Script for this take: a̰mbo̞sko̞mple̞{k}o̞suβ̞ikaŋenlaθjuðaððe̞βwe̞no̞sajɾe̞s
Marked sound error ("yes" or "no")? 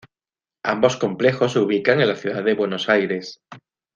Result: yes